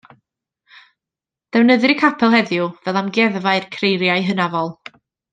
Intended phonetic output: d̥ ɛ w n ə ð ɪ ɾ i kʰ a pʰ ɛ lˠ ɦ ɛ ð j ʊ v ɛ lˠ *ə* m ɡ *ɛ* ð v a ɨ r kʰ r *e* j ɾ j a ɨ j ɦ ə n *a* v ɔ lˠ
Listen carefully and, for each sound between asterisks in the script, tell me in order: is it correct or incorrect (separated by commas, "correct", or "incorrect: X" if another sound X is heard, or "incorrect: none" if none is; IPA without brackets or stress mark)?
incorrect: a, correct, correct, correct